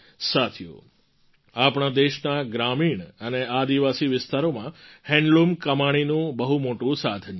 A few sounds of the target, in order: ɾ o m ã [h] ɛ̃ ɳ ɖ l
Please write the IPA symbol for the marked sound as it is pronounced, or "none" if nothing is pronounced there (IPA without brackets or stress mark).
h